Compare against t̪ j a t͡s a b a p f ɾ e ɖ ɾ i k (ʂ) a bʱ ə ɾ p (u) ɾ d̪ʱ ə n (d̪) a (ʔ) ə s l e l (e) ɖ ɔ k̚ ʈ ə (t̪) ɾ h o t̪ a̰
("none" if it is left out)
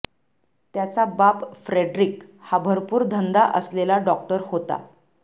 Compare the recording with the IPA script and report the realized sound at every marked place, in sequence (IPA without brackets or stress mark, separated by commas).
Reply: h, uː, d̪, ʔ, a, none